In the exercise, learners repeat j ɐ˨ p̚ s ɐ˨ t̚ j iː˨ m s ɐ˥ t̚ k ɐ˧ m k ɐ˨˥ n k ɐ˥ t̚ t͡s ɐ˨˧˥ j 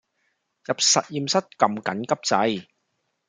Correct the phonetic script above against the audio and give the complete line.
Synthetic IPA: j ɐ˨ p̚ s ɐ˨ t̚ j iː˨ m s ɐ˥ t̚ k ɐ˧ m k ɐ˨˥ n k ɐ˥ p̚ t͡s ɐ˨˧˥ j